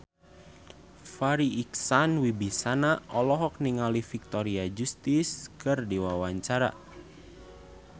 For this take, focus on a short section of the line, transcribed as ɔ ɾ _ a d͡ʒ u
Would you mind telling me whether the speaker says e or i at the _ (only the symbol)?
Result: i